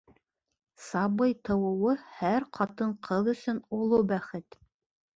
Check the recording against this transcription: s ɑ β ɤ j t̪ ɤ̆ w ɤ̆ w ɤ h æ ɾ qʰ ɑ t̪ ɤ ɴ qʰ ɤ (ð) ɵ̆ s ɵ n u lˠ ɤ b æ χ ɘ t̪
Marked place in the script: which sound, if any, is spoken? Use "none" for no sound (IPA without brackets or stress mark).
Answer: ð